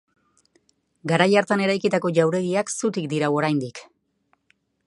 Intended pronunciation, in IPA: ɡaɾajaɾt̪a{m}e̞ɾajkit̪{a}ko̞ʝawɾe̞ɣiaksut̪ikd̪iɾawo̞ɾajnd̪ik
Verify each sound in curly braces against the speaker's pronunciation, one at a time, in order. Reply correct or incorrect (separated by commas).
incorrect, correct